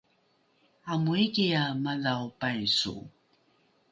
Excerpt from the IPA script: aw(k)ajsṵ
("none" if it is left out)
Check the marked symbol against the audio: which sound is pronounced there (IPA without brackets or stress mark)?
p